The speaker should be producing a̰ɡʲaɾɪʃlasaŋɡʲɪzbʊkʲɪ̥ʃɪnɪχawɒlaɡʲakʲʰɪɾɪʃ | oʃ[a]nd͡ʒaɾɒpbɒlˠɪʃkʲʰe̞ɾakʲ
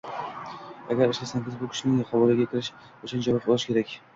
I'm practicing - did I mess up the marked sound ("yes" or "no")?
no